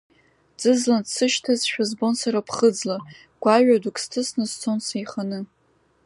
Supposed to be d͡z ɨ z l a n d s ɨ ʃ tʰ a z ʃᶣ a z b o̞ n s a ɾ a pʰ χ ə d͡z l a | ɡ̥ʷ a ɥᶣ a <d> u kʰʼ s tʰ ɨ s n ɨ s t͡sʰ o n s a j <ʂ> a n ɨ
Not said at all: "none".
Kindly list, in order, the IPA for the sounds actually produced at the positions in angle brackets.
d, χ

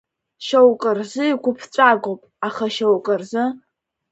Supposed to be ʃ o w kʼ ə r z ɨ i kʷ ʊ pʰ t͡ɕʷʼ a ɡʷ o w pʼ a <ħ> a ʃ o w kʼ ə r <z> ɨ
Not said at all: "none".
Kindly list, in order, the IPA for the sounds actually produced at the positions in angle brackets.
χ, z

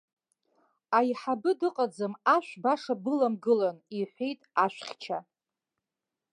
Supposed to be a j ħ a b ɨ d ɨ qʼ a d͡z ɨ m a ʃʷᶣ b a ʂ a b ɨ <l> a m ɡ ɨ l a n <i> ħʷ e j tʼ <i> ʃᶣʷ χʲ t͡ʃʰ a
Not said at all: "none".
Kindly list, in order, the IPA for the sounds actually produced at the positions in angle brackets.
l, i, a

